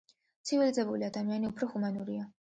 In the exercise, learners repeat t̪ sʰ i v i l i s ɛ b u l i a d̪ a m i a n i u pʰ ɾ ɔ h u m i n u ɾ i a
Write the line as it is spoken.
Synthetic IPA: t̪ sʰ i v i l i z ɛ b u l i a d̪ a m i a n i u pʰ ɾ ɔ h u m a n u ɾ i a